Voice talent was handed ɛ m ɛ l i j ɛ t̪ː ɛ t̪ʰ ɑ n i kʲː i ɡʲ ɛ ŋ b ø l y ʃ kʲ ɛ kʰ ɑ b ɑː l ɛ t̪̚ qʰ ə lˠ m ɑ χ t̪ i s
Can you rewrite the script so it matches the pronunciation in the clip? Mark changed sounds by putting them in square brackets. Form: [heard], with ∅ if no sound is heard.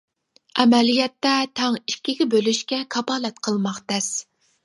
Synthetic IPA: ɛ m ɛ l i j ɛ t̪ː ɛ t̪ʰ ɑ [ŋ] i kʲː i ɡʲ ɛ [∅] b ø l y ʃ kʲ ɛ kʰ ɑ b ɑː l ɛ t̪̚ qʰ ə lˠ m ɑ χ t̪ [ɛ] s